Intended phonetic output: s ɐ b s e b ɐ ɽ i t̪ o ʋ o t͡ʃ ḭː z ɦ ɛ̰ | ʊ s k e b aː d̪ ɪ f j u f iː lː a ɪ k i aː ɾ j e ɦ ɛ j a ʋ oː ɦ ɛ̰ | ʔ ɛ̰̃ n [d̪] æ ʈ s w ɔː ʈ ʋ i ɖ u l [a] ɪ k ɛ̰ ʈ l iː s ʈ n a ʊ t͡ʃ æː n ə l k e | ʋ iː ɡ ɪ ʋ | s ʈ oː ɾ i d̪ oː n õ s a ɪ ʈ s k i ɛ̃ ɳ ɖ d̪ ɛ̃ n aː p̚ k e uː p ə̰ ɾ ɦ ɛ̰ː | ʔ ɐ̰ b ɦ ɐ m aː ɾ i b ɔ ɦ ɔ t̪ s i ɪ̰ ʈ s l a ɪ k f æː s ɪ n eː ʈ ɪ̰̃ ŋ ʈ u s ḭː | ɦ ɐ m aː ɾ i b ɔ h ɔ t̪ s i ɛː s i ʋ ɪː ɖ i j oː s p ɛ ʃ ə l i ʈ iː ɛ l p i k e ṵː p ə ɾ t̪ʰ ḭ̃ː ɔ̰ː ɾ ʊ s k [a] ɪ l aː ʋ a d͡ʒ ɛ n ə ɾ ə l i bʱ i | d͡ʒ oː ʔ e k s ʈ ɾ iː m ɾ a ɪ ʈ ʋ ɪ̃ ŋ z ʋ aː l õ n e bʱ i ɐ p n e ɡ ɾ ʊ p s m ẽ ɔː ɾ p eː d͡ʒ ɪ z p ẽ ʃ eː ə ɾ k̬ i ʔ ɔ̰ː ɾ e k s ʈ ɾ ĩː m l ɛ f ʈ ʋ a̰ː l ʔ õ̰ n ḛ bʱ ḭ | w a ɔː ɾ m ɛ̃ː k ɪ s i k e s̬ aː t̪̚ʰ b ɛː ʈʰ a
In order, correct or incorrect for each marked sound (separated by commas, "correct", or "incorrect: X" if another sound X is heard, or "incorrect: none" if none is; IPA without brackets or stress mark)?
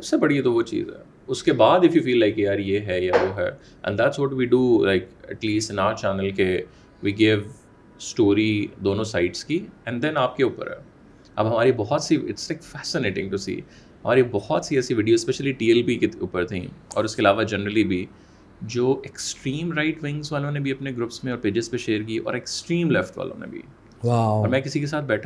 correct, correct, incorrect: e